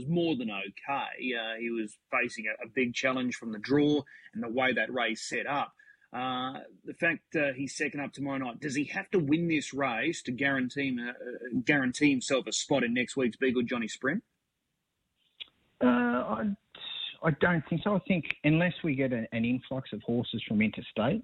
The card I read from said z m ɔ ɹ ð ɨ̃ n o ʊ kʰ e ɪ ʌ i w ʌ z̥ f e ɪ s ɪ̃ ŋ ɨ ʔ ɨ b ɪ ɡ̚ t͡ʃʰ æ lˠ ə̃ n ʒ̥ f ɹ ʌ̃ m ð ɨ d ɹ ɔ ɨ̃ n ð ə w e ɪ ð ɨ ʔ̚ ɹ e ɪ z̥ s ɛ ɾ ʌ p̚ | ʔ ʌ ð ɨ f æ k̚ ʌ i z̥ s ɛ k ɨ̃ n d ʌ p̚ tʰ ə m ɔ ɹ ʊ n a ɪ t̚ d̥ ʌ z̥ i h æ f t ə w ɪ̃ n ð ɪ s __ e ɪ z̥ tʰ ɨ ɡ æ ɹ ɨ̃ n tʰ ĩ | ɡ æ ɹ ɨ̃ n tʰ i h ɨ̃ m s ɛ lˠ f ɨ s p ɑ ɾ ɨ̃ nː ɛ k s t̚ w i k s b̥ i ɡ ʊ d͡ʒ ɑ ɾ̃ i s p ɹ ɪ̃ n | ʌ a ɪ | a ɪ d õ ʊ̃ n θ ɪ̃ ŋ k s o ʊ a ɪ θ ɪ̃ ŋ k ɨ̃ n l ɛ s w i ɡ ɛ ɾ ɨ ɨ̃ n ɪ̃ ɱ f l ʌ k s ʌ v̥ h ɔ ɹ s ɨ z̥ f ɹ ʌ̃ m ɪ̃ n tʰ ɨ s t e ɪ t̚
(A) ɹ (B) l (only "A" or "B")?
A